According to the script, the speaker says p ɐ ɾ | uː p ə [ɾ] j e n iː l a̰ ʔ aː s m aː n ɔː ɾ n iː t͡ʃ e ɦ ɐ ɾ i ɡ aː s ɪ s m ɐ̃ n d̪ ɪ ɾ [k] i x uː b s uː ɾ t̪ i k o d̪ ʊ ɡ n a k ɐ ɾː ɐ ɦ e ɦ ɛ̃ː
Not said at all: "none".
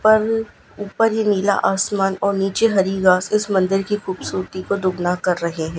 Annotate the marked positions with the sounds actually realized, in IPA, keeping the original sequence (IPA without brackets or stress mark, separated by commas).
ɾ, k